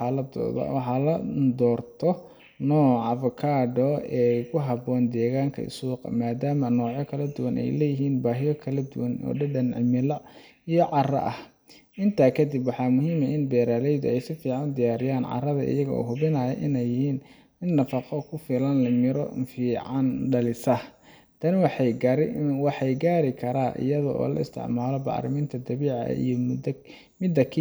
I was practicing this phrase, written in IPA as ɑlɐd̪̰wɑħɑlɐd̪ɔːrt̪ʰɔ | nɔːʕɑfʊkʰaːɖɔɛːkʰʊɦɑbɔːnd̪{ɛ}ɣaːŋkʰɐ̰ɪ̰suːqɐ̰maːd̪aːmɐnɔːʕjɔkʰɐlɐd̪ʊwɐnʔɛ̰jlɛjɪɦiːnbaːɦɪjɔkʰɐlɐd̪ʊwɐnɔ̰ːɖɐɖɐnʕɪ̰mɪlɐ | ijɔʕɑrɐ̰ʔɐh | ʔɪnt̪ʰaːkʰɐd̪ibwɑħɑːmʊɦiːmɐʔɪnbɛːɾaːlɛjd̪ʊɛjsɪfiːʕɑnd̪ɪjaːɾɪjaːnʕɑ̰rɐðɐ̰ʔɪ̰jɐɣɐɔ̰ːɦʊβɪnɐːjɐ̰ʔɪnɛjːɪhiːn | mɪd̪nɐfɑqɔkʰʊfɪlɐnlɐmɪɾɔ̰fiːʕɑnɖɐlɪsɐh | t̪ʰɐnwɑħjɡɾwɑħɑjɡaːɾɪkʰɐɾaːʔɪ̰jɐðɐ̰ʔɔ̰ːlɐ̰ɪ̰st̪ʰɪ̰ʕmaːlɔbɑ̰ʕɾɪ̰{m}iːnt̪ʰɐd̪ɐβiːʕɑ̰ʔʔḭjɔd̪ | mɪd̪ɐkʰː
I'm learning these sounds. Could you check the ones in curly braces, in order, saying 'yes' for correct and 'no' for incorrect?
no, yes

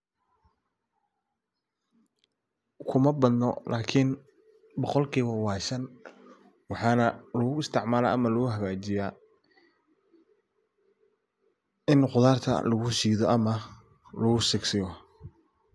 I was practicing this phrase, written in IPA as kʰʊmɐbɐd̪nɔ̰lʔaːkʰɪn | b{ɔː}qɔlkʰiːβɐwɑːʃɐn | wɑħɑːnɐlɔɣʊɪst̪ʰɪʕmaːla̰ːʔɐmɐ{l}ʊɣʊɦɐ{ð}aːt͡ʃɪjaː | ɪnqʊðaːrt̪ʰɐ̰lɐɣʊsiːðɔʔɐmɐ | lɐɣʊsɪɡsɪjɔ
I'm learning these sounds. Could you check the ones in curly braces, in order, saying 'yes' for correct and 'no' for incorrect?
no, yes, no

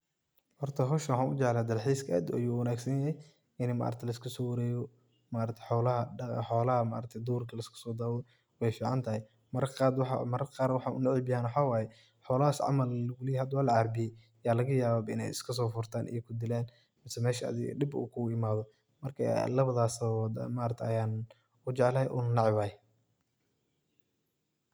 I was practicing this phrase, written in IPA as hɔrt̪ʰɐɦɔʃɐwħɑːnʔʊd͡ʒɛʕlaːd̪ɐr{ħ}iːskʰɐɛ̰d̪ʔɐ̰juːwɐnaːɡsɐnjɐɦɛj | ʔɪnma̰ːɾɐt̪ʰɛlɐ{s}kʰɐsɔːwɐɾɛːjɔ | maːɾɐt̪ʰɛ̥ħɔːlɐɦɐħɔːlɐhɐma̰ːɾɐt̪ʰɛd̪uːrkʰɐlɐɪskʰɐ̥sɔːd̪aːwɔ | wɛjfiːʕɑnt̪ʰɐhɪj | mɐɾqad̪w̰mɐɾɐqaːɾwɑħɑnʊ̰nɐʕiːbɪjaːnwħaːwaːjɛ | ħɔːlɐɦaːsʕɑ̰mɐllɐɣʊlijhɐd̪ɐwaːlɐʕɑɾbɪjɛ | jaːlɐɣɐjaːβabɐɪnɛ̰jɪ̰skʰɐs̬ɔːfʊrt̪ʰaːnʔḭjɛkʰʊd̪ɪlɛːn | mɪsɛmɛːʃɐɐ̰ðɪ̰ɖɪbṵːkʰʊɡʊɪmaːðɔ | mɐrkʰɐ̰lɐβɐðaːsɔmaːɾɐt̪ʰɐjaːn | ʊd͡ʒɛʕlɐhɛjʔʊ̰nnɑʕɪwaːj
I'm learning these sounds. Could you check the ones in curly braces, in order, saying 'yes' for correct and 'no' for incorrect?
yes, yes

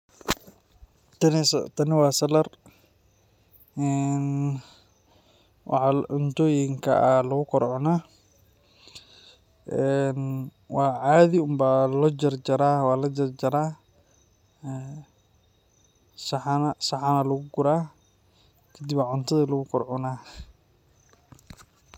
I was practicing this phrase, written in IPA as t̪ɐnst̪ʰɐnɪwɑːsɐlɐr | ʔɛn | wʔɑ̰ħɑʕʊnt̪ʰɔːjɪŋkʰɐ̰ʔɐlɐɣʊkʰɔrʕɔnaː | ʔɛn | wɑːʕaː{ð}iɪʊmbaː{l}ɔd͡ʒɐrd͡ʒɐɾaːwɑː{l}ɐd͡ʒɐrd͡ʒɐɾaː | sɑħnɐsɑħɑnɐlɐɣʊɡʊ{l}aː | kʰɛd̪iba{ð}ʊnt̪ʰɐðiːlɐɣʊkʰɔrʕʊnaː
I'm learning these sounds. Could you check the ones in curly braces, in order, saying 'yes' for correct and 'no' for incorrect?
yes, yes, yes, no, no

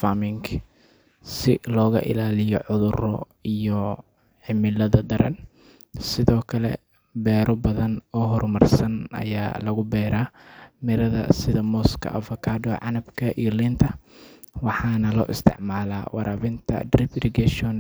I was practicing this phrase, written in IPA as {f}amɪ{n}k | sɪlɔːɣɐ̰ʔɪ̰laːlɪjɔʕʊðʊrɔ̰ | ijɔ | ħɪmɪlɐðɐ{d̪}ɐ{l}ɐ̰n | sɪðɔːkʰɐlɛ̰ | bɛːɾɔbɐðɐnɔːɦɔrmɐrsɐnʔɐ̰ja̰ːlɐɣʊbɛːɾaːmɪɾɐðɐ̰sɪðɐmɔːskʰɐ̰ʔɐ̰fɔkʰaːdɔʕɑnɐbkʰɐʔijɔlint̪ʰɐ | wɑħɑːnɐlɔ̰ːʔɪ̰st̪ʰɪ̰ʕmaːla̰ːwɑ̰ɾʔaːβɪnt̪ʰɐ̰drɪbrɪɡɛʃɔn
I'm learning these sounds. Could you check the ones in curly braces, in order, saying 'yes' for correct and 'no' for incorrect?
yes, no, yes, no

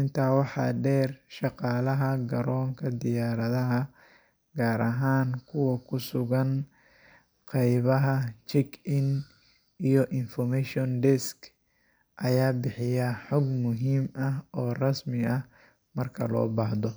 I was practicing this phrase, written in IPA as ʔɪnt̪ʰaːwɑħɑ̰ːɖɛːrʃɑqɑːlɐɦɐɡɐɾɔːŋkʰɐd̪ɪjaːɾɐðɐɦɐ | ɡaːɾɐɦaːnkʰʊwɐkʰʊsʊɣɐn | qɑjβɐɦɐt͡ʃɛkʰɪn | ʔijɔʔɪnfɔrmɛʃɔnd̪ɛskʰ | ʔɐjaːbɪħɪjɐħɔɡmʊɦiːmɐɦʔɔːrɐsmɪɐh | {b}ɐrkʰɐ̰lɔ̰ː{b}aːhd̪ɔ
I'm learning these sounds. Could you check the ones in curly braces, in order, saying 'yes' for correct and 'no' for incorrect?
no, yes

